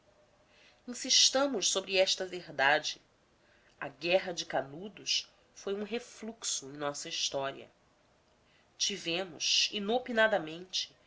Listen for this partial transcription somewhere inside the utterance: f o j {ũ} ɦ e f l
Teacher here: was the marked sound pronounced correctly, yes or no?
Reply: yes